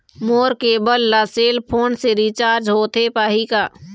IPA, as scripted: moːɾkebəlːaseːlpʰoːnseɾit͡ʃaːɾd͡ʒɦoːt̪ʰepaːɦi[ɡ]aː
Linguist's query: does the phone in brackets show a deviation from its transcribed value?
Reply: yes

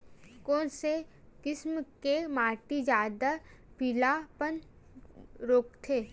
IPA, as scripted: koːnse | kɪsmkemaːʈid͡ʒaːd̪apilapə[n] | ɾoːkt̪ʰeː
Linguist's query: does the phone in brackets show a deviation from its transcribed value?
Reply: no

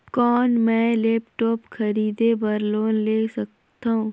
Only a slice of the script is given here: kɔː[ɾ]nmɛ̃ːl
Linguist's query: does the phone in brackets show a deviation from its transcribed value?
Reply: yes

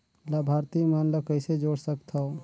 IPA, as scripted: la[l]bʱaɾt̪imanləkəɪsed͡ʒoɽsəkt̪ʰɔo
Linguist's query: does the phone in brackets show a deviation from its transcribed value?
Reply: yes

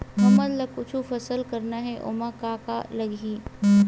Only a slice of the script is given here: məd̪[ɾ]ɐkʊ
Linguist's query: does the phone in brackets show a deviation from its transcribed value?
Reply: yes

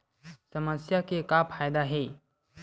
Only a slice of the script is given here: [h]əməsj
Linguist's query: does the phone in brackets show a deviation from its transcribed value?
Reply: yes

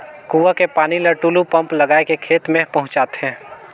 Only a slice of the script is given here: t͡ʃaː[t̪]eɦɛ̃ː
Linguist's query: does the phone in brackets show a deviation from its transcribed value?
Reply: no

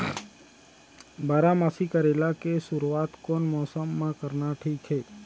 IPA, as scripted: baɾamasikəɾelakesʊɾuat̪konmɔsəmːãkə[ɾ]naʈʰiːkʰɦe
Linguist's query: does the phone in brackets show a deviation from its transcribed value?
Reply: no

